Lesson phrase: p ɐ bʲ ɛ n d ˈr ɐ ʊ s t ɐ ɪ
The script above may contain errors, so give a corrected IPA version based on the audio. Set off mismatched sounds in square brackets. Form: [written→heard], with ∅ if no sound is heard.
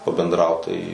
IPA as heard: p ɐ bʲ ɛ n d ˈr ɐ ʊ [s→t] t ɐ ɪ